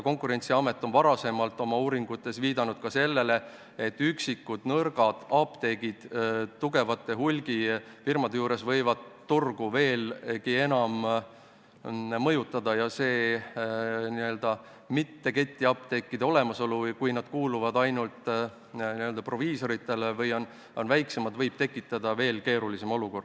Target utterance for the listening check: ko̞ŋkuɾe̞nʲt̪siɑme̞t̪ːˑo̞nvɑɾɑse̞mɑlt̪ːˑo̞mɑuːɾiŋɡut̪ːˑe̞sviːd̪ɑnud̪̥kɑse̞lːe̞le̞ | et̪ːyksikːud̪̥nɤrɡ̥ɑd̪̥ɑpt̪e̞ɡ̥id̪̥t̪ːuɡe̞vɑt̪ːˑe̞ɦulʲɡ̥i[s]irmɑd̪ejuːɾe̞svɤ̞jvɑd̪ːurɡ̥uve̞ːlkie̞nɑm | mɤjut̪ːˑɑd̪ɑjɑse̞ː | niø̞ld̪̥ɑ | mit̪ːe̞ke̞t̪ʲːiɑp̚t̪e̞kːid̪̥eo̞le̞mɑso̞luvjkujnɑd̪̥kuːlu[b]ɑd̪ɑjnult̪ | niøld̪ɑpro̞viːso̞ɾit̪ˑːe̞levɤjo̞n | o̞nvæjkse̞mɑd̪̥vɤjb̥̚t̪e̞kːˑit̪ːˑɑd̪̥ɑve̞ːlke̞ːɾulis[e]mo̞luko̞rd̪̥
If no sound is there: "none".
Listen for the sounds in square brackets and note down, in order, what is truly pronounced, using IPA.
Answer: f, v, e

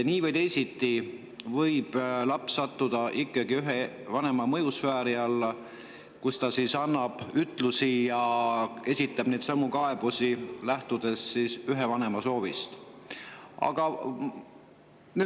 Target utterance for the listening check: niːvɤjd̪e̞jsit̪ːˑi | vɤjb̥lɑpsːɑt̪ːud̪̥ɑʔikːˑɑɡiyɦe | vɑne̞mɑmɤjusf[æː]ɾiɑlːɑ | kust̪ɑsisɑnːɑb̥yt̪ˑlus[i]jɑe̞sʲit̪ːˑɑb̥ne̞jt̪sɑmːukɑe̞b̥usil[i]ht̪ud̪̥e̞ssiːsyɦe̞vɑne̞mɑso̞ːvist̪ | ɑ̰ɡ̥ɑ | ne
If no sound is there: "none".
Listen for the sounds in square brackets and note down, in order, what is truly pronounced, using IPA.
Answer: æː, i, æ

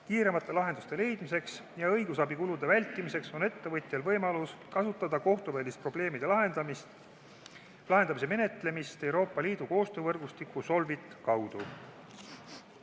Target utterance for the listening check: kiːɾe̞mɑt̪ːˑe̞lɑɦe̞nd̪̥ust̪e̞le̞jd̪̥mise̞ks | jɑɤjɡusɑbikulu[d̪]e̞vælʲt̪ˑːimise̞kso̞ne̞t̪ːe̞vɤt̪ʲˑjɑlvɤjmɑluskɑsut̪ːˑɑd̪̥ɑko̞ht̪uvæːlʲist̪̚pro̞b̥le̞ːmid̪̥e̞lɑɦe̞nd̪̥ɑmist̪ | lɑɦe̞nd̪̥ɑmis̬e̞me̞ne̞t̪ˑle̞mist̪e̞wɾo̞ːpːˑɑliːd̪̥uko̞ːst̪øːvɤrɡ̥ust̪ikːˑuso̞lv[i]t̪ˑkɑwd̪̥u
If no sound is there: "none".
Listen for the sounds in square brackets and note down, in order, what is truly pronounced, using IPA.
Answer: d̪, i

